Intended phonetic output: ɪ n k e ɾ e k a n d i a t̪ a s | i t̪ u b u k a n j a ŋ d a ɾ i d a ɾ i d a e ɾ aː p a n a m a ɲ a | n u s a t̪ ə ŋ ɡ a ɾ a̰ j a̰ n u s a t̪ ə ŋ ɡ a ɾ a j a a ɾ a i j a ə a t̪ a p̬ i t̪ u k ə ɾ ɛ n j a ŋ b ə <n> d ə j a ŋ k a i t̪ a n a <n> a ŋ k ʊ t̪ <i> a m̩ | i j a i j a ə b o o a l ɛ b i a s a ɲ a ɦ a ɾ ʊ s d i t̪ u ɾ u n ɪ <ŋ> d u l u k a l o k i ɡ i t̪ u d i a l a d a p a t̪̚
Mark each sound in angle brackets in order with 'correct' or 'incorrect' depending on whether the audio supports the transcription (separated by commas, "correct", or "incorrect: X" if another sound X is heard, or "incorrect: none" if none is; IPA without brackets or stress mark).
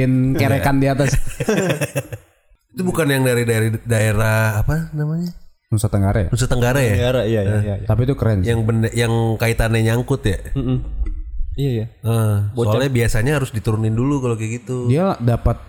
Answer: correct, incorrect: ɲ, incorrect: j, incorrect: n